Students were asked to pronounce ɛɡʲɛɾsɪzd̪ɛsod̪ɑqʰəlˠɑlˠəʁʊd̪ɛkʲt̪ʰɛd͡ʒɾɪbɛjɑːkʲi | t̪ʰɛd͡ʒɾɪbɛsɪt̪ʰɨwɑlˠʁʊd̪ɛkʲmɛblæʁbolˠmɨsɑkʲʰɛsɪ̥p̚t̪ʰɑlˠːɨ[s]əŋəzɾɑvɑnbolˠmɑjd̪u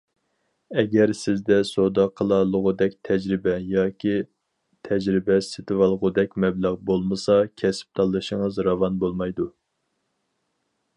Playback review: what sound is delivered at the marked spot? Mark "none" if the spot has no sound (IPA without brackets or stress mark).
ʃ